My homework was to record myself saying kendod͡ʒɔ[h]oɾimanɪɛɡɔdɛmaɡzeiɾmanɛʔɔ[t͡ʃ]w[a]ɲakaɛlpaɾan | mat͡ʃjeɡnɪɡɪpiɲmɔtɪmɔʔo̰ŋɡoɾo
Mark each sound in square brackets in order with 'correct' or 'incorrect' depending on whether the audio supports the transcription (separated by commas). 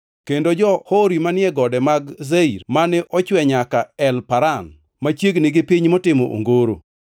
correct, correct, incorrect